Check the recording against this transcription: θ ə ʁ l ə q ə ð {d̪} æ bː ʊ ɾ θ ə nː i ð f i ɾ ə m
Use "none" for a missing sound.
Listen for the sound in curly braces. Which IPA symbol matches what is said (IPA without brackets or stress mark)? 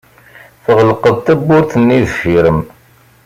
t̪